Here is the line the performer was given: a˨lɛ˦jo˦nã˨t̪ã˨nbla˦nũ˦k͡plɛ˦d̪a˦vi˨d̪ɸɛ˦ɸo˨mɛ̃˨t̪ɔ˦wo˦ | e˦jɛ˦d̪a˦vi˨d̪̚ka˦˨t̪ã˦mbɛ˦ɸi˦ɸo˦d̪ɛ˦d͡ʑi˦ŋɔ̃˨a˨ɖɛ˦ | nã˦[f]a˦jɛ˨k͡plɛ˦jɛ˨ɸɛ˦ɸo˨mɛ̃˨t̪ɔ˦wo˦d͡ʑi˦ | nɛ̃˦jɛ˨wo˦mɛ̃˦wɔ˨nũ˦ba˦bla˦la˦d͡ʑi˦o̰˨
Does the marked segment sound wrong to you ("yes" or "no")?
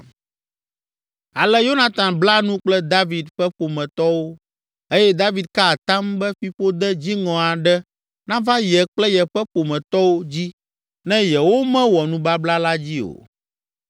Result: yes